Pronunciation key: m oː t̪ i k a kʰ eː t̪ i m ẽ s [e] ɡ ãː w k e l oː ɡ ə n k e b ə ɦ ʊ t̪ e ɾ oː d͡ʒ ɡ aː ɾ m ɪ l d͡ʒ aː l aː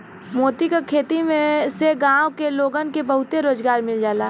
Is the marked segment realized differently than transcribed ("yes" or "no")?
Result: no